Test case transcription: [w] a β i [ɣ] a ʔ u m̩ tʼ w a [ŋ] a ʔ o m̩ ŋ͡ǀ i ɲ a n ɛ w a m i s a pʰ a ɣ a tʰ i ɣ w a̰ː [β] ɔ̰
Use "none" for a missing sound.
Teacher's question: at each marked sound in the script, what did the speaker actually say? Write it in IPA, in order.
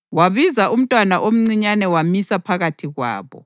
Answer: w, z, n, β

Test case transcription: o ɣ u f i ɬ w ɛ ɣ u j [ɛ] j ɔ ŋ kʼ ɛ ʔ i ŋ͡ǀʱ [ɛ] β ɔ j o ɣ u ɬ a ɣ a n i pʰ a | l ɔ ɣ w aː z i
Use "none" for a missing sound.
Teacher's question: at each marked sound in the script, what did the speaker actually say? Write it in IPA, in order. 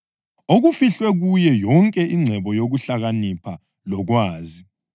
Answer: ɛ, ɛ

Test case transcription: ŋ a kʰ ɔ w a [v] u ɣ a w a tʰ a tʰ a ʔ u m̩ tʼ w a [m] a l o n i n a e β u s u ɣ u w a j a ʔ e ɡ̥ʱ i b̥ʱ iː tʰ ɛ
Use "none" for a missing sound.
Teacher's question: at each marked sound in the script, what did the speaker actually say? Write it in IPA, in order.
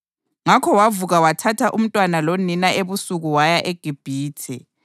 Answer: v, n

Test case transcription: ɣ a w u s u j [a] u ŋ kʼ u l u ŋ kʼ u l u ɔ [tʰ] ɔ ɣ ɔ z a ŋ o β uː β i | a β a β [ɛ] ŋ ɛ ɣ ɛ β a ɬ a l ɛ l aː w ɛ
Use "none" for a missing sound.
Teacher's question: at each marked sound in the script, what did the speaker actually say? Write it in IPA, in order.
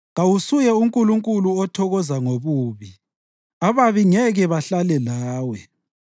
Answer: ɛ, tʰ, i

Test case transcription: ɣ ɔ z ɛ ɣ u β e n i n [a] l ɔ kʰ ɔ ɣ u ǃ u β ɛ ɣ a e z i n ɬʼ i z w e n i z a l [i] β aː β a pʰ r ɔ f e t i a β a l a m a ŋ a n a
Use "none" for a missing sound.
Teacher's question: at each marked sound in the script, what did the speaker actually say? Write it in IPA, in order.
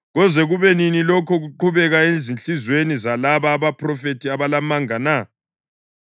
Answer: i, a

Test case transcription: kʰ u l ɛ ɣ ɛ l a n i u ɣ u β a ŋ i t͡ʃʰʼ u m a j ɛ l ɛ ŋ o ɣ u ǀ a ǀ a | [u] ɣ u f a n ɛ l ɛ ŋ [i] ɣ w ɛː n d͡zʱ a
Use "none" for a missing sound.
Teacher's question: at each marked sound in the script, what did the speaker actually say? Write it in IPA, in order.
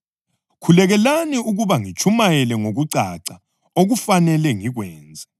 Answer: o, i

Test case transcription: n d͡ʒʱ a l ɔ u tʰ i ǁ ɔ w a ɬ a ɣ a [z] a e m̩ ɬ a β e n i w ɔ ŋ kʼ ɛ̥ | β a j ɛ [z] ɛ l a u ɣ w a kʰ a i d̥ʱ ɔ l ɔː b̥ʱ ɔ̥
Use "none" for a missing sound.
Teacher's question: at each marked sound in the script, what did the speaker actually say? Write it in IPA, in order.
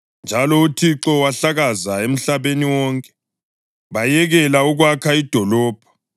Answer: z, ɣ

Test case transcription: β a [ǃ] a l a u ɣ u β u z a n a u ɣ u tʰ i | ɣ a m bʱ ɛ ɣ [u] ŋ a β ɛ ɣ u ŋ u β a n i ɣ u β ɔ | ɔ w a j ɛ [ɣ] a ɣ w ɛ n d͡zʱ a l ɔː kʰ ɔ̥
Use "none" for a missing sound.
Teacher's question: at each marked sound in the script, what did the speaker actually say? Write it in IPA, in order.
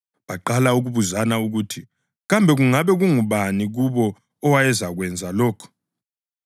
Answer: ǃ, u, z

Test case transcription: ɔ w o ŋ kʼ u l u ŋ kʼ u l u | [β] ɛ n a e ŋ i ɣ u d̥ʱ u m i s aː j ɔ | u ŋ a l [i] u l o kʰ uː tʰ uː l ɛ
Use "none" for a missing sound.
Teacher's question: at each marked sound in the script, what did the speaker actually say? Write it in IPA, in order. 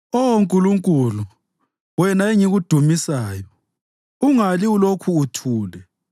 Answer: w, i

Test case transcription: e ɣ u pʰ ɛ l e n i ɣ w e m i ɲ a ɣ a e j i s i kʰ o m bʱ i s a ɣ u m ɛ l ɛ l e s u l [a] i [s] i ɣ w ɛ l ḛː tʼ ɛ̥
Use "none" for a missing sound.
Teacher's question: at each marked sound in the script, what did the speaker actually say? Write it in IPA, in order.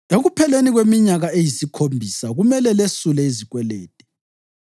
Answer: ɛ, z

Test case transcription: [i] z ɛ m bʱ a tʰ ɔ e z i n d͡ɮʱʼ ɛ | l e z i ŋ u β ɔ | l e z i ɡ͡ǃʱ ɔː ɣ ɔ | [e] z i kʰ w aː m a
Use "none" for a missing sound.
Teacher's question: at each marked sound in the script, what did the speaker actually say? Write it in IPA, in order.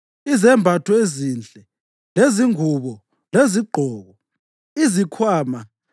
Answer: i, i

